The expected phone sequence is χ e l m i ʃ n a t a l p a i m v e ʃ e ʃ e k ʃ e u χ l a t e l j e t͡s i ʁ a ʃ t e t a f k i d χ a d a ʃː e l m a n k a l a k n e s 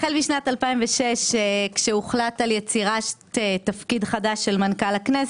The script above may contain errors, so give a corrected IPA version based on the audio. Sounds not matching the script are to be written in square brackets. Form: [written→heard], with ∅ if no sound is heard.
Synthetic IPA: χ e l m i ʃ n a t a l p a i m v e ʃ e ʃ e k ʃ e u χ l a t [e→a] l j e t͡s i ʁ a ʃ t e t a f k i d χ a d a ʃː e l m a n k a l a k n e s